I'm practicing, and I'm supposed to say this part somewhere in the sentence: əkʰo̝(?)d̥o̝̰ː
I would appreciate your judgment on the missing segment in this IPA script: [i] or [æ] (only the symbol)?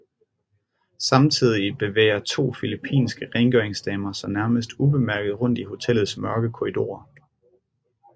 i